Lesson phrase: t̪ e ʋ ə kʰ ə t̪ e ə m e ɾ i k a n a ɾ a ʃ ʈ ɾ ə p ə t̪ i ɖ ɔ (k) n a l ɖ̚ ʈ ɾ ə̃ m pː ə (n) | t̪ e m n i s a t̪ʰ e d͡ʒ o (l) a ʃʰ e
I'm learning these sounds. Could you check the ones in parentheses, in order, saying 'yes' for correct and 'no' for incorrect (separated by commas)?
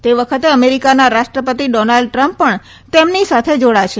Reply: no, no, no